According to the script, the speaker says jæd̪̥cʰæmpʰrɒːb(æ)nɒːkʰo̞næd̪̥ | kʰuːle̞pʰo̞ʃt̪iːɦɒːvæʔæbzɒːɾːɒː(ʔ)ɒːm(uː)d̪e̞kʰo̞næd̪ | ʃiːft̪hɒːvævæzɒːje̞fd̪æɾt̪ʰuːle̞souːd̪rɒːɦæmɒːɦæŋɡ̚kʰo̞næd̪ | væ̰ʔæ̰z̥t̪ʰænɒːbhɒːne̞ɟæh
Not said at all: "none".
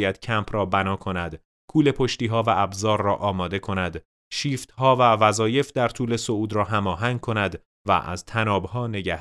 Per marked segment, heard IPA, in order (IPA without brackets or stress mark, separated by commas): æ, ʔ, ɒː